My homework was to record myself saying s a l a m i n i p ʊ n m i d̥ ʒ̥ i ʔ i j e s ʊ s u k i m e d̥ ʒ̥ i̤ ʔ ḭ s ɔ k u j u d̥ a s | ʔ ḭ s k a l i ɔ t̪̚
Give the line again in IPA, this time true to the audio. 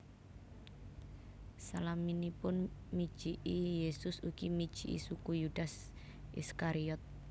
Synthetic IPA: s a l a m i n i p ʊ n m i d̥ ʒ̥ i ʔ i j e s ʊ s u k i m i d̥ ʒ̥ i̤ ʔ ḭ s u k u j u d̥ a s | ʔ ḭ s k a ɾ i ɔ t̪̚